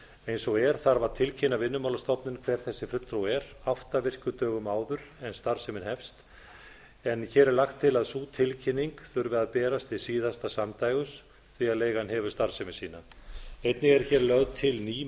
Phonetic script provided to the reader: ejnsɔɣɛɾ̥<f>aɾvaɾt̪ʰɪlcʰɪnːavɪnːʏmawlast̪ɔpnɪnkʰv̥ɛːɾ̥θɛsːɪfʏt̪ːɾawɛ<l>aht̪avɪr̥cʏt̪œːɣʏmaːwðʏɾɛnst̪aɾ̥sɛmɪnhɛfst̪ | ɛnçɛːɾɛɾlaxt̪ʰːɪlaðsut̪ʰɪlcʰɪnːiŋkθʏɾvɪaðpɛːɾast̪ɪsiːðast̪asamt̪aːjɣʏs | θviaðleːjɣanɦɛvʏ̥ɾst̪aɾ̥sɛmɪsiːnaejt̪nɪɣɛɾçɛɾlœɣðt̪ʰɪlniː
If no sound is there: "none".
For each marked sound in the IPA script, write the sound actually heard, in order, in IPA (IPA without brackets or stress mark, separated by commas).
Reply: θ, ɾ